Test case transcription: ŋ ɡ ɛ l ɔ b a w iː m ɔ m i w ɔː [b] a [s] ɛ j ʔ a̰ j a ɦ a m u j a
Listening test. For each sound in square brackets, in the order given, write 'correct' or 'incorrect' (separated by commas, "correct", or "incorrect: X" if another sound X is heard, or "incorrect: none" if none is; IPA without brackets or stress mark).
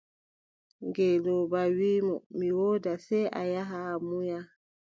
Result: incorrect: d, correct